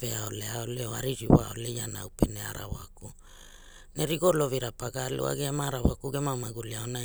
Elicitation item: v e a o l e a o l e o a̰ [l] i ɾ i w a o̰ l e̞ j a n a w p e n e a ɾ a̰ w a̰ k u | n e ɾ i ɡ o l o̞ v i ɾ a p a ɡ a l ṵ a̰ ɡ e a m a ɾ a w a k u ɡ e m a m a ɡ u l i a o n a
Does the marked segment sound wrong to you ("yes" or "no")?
yes